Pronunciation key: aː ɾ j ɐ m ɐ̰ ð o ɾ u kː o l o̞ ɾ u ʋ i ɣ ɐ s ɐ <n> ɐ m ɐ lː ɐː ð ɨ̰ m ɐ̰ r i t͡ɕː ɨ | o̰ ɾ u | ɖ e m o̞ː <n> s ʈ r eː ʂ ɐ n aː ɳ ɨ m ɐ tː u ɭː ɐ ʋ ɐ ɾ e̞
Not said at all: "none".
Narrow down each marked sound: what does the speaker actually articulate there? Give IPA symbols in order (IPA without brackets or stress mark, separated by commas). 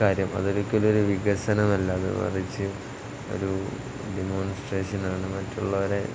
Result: n, n